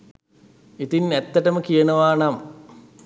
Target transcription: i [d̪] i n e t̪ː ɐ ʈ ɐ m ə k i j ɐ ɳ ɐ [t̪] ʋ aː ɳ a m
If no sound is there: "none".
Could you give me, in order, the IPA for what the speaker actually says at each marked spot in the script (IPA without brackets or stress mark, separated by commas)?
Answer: t̪, none